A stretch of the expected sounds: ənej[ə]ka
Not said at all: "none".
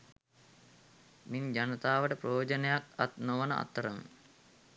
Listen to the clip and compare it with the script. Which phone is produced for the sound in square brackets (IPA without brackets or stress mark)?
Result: a